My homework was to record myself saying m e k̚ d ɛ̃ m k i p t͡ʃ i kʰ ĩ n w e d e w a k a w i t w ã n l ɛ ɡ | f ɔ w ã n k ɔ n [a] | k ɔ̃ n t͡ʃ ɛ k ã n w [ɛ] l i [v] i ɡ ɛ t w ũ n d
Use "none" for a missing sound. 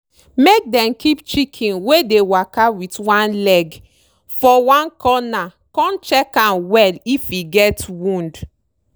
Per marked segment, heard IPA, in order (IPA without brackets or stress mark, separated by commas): a, ɛ, f